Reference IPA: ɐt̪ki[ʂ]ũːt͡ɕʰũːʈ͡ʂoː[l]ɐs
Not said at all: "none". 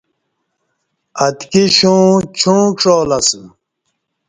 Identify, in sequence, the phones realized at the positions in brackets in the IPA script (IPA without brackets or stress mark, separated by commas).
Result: ɕ, l